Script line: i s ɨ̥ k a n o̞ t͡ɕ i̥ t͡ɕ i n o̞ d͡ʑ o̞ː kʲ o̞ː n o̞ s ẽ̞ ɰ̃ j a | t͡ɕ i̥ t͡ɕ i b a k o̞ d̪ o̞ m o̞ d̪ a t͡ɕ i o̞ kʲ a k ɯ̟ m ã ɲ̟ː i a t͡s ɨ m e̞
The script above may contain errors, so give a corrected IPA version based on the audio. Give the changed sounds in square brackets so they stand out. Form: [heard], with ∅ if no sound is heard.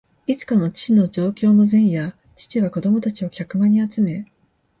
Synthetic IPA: i [t͡s] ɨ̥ k a n o̞ t͡ɕ i̥ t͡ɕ i n o̞ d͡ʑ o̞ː kʲ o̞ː n o̞ [z] ẽ̞ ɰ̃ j a | t͡ɕ i̥ t͡ɕ i [β] a k o̞ d̪ o̞ m o̞ [t̪] a t͡ɕ i o̞ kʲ a k ɯ̟ m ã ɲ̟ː i a t͡s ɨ m e̞